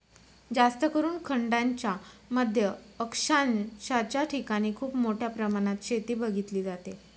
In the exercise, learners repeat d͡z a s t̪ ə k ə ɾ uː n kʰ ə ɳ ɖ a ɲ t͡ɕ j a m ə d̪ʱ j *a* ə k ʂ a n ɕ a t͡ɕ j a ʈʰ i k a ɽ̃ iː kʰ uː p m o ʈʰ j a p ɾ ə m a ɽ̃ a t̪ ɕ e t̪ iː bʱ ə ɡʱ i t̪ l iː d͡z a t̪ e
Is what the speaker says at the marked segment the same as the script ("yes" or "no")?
no